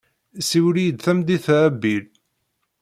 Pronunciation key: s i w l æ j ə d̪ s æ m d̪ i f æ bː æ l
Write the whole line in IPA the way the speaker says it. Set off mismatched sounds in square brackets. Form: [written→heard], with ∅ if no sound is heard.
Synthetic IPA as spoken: s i w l [æ→i] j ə d̪ [s→θ] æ m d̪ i [f→θ] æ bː [æ→i] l